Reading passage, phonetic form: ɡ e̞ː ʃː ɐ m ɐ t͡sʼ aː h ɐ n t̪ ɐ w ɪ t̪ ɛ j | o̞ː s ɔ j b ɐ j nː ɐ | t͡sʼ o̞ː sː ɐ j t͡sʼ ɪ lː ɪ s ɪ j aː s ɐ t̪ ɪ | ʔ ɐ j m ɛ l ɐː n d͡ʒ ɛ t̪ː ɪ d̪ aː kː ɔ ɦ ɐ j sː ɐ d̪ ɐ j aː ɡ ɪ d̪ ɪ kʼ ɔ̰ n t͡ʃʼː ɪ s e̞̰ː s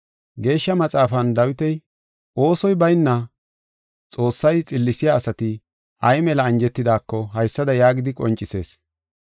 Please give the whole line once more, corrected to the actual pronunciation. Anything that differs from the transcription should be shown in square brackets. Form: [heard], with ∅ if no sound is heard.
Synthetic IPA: ɡ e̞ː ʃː ɐ m ɐ t͡sʼ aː [f] ɐ n [d̪] ɐ w ɪ t̪ ɛ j | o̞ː s ɔ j b ɐ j nː ɐ | t͡sʼ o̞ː sː ɐ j t͡sʼ ɪ lː ɪ s ɪ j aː s ɐ t̪ ɪ | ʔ ɐ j m ɛ l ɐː n d͡ʒ ɛ t̪ː ɪ d̪ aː kː ɔ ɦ ɐ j sː ɐ d̪ ɐ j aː ɡ ɪ d̪ ɪ kʼ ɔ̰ n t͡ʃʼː ɪ s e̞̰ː s